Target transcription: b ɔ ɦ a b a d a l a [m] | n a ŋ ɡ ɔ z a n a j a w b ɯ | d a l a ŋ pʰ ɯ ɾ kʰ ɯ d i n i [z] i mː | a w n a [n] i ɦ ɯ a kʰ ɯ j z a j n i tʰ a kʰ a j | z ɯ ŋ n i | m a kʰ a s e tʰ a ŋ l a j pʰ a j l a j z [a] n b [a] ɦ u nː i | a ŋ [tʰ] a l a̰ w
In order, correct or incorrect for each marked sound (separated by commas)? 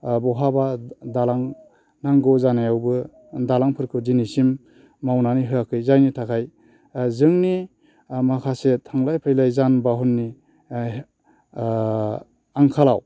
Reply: incorrect, incorrect, correct, correct, correct, incorrect